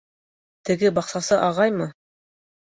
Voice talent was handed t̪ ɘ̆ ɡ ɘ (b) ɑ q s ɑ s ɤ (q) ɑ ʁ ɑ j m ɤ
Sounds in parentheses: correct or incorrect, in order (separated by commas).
correct, incorrect